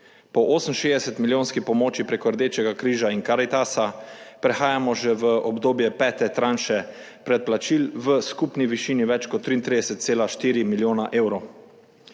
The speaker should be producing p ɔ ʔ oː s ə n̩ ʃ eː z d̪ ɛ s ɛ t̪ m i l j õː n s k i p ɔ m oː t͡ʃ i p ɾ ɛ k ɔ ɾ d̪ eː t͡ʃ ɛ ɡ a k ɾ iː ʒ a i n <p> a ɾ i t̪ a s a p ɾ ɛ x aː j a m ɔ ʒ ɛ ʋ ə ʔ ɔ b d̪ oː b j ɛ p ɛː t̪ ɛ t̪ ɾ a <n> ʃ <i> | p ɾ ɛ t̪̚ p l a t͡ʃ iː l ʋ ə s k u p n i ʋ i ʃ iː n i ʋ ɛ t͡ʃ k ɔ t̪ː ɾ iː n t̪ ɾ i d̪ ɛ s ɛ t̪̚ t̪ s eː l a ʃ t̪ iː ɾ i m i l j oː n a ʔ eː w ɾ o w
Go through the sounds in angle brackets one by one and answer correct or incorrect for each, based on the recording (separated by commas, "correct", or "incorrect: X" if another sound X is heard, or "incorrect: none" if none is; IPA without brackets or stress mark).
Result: incorrect: k, correct, incorrect: ɛ